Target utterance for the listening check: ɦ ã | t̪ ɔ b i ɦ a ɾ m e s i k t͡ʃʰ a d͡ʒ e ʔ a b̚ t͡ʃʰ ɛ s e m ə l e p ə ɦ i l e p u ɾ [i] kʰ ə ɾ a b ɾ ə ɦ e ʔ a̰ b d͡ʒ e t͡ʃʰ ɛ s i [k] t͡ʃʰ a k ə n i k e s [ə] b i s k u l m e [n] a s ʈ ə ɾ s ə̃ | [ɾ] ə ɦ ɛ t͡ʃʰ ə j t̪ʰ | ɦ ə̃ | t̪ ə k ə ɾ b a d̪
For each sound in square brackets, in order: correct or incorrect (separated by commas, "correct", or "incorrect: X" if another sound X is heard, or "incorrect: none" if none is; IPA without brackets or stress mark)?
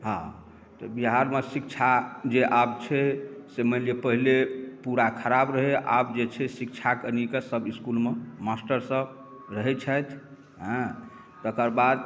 incorrect: a, correct, correct, incorrect: m, correct